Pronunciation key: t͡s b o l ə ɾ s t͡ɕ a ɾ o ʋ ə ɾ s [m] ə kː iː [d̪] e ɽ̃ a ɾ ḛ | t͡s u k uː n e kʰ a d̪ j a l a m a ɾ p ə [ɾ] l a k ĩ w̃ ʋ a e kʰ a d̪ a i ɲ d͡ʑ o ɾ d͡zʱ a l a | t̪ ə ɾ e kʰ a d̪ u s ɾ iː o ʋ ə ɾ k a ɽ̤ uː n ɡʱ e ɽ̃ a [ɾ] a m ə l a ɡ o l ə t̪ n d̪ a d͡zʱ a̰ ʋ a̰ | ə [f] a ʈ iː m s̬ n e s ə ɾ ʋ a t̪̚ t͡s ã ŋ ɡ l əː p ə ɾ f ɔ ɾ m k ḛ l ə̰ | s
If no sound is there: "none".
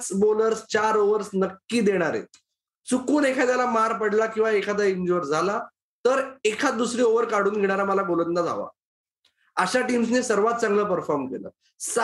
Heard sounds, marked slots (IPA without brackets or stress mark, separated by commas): n, d̪, ɽ, ɾ, ɕ